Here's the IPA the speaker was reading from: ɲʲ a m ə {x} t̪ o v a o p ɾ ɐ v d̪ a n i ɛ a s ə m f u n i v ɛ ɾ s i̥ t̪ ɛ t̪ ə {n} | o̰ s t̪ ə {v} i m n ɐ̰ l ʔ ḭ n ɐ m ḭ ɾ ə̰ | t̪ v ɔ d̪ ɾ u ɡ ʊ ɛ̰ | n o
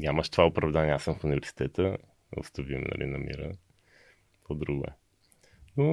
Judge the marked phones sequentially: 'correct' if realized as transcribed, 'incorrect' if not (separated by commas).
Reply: incorrect, incorrect, correct